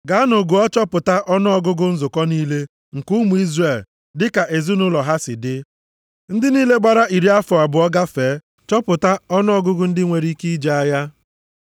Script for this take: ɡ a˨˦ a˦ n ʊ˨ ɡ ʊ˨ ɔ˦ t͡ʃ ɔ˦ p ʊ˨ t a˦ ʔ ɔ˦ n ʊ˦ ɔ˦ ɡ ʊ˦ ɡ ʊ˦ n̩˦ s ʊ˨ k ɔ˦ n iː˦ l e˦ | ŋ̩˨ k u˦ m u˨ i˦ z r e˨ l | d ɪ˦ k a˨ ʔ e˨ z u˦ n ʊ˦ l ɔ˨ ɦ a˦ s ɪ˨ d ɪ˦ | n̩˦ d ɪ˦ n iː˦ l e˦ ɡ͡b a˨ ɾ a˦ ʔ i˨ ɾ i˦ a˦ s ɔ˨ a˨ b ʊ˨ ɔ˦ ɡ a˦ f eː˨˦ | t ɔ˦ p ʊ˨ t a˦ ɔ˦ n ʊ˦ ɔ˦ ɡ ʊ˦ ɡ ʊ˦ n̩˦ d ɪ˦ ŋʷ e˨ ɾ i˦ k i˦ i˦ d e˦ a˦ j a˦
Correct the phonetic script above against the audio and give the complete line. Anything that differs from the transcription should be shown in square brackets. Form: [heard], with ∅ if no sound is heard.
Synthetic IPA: ɡ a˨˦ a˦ n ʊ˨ ɡ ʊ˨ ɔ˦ t͡ʃ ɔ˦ p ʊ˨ t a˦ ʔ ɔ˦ n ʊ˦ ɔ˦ ɡ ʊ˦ ɡ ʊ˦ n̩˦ [z] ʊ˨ k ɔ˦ n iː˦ l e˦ | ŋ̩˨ k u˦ m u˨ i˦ z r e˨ l | d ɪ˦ k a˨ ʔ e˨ z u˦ n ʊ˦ l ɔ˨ ɦ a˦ s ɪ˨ d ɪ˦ | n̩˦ d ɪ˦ n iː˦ l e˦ ɡ͡b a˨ ɾ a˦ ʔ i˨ ɾ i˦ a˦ [f] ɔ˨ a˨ b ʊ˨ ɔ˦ ɡ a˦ f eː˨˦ | [t͡ʃ] ɔ˦ p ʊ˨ t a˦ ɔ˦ n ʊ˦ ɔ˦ ɡ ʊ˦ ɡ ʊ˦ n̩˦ d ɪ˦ ŋʷ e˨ ɾ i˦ k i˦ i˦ [d͡ʒ] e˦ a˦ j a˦